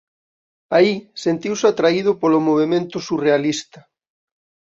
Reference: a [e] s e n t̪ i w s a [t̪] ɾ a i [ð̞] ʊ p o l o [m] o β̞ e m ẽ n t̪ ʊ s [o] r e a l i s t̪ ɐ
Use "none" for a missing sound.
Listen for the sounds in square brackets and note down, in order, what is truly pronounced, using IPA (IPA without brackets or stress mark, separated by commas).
i, t̪, ð̞, m, u